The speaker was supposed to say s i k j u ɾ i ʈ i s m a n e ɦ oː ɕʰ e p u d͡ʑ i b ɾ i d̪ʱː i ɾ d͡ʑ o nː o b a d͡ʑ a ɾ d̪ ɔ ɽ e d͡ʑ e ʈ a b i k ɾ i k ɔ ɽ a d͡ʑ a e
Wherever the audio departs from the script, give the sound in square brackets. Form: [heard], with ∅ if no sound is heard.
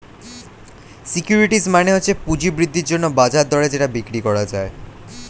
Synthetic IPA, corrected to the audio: s i k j u ɾ i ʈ i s m a n e ɦ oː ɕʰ e p u d͡ʑ i b ɾ i d̪ʱː i ɾ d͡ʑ o nː o b a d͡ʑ a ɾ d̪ ɔ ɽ e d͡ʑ e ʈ a b i k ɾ i k ɔ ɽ a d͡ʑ a e